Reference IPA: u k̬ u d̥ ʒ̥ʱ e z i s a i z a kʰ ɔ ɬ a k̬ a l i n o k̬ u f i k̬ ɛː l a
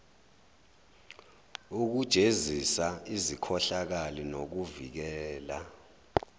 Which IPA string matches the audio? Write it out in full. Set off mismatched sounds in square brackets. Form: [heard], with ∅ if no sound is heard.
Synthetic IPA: u k̬ u d̥ ʒ̥ʱ e z i s a i z [i] kʰ ɔ ɬ a k̬ a l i n o k̬ u [v] i k̬ ɛː l a